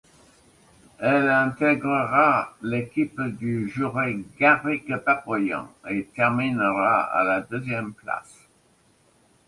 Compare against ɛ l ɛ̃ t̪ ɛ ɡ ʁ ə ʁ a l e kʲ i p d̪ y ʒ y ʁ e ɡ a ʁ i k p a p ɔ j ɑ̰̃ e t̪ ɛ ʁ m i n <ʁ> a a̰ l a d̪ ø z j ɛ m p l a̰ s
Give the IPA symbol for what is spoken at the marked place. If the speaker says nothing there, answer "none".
ʁ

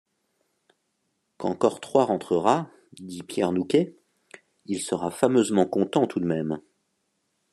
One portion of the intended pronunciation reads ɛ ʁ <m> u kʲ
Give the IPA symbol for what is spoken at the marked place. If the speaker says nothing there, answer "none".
n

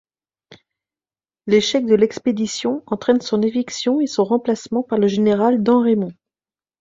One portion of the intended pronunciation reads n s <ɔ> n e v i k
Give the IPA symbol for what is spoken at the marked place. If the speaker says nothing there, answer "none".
ɔ̃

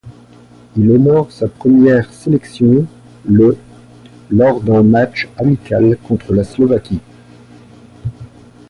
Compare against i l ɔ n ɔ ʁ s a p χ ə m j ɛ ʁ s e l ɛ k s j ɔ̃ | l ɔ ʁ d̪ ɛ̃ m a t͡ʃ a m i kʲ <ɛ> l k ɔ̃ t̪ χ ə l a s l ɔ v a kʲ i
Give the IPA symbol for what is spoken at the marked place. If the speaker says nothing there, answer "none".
a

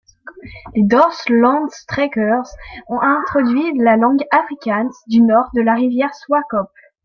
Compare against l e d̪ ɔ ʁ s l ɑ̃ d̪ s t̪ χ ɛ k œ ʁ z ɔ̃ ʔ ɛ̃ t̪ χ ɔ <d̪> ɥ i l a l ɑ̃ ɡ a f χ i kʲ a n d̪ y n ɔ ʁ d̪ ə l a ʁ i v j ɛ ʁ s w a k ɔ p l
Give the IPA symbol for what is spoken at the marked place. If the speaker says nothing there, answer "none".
d̪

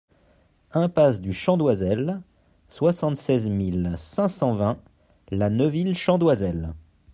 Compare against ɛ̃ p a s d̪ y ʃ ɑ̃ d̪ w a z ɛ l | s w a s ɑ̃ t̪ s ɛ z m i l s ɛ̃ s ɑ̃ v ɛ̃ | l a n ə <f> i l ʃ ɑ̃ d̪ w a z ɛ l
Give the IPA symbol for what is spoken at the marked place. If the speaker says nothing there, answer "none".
v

